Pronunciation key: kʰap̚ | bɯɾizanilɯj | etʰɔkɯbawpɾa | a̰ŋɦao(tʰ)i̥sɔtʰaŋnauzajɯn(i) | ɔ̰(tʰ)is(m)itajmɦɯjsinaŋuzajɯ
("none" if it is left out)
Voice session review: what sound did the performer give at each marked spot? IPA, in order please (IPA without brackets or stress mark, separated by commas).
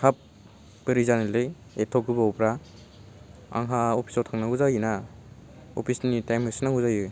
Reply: pʰ, a, pʰ, n